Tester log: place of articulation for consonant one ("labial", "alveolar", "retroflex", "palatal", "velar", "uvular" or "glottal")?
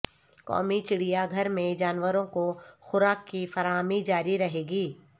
velar